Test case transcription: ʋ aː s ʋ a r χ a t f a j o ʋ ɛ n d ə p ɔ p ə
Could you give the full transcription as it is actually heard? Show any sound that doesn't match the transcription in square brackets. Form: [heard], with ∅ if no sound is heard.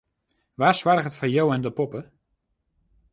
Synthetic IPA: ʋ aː s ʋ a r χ [ə] t f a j o [w] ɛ n d ə p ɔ p ə